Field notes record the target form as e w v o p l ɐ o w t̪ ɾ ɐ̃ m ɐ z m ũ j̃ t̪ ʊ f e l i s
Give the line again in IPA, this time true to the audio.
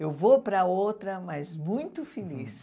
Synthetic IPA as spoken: e w v o p ɾ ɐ o w t̪ ɾ ɐ m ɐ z m ũ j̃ t̪ ʊ f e l i s